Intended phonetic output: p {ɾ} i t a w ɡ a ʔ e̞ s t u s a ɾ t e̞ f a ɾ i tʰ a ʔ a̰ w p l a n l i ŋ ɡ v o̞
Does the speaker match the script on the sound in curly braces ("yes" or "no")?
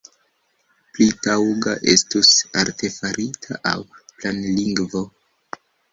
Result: no